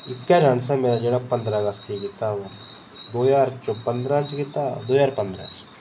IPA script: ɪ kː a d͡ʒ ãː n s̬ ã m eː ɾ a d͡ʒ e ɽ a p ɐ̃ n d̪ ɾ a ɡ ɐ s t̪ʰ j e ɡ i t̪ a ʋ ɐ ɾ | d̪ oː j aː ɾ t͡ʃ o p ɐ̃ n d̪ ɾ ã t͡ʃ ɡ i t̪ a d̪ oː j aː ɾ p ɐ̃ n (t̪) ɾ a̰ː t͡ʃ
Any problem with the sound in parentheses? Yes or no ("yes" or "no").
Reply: yes